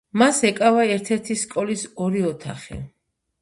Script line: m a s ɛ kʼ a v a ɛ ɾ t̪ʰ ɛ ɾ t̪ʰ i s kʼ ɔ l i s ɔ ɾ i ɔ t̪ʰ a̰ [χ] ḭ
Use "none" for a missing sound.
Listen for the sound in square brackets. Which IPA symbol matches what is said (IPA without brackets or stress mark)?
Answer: χ